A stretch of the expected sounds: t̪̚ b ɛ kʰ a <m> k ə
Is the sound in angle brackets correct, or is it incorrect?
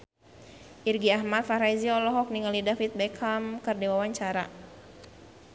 correct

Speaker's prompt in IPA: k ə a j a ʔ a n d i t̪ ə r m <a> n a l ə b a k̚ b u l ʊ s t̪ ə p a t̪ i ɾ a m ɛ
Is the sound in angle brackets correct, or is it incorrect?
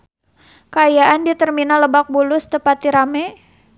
incorrect: i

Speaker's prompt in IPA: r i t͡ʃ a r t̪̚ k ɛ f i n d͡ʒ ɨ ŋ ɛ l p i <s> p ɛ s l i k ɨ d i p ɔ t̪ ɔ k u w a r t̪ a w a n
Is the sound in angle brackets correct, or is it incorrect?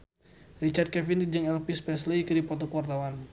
correct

